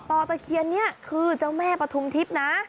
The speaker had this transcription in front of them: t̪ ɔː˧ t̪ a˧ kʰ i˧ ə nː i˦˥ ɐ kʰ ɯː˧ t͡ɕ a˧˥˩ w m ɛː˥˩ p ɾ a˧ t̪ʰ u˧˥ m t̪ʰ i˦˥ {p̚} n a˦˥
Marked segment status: correct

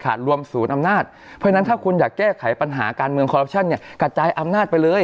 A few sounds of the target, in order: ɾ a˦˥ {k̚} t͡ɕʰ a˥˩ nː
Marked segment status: incorrect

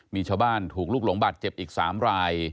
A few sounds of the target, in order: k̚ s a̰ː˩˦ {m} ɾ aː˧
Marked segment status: correct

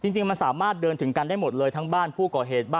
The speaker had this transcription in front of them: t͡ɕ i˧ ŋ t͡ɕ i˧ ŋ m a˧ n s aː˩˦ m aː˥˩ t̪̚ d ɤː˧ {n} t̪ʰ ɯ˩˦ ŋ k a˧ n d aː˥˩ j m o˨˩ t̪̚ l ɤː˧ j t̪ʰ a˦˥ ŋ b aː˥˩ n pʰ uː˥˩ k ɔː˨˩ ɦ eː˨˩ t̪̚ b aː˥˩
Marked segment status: correct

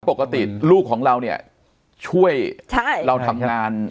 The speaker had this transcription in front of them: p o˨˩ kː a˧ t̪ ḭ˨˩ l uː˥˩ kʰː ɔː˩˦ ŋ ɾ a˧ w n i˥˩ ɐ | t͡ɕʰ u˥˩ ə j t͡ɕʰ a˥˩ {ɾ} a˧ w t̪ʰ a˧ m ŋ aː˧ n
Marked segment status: correct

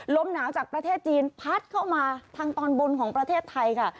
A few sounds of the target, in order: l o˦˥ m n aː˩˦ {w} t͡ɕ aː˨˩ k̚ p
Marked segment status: correct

